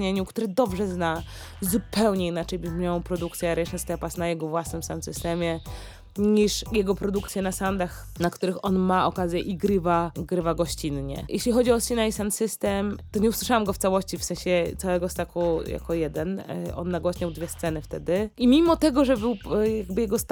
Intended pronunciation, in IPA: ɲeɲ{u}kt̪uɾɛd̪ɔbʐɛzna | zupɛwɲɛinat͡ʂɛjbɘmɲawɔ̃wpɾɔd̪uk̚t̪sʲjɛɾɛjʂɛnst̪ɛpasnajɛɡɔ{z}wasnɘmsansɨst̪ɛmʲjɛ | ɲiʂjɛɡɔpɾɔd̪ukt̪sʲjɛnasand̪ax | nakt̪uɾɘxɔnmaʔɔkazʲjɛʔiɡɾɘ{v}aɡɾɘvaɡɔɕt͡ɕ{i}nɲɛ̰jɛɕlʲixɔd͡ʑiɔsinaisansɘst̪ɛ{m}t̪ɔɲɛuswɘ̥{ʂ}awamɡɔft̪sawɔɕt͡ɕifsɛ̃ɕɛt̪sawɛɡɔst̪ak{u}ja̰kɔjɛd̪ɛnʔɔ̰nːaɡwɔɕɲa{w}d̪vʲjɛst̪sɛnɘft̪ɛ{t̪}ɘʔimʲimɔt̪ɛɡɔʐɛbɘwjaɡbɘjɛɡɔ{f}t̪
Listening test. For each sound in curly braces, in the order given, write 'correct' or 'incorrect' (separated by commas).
correct, incorrect, correct, correct, correct, correct, correct, correct, incorrect, incorrect